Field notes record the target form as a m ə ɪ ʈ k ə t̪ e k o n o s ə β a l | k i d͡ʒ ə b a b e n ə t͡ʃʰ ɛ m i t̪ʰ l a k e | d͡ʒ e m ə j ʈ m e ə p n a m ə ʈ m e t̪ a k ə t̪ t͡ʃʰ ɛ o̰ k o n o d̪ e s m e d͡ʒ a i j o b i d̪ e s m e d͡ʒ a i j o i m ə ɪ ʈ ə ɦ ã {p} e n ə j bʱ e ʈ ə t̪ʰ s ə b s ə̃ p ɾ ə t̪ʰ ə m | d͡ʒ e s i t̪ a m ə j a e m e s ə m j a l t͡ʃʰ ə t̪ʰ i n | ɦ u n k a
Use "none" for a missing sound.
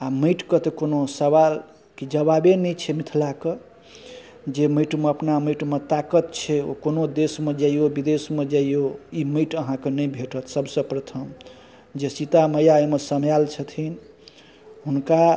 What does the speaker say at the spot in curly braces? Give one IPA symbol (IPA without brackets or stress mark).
k